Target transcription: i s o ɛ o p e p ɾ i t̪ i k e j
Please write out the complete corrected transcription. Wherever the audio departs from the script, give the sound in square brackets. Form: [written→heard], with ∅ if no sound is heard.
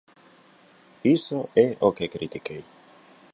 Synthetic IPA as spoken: i s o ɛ o [p→k] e [p→k] ɾ i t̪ i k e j